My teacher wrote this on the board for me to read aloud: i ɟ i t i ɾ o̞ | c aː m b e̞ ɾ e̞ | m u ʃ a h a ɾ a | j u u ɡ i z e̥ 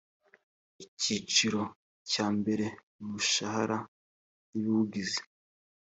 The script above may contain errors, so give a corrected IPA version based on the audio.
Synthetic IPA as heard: i c i t͡ʃ i ɾ o̞ | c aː m b e̞ ɾ e̞ | m u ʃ a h a ɾ a | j u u ɡ i z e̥